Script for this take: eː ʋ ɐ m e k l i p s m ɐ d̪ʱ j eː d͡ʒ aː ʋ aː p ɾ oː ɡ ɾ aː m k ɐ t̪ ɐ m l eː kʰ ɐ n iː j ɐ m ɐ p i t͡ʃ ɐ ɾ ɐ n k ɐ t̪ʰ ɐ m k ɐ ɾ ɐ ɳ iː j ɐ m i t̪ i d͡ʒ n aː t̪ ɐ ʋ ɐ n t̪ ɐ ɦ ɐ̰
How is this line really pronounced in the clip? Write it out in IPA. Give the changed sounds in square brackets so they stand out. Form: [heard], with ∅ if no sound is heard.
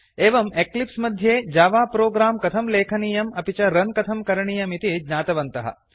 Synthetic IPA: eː ʋ ɐ m e k l i p s m ɐ d̪ʱ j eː d͡ʒ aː ʋ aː p ɾ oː ɡ ɾ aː m k ɐ [t̪ʰ] ɐ m l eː kʰ ɐ n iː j ɐ m ɐ p i t͡ʃ ɐ ɾ ɐ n k ɐ t̪ʰ ɐ m k ɐ ɾ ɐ ɳ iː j ɐ m i t̪ i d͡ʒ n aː t̪ ɐ ʋ ɐ n t̪ ɐ ɦ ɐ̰